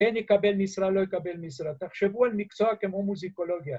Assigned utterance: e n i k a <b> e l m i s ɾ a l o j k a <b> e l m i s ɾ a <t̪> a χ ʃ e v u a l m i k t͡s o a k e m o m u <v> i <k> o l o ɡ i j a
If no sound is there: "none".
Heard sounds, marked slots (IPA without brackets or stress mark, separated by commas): b, b, t̪, z, k